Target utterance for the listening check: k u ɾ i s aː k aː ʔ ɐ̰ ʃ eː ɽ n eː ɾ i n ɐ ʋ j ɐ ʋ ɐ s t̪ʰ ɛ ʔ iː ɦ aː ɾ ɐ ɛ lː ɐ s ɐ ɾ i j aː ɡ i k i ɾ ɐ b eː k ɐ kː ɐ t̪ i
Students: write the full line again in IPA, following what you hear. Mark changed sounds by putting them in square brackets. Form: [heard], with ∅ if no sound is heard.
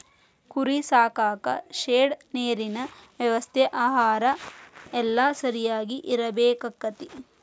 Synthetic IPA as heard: k u ɾ i s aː k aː [k] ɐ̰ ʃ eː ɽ n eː ɾ i n ɐ ʋ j ɐ ʋ ɐ s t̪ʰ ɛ ʔ [aː] ɦ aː ɾ ɐ ɛ lː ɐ s ɐ ɾ i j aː ɡ i [ʔ] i ɾ ɐ b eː k ɐ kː ɐ t̪ i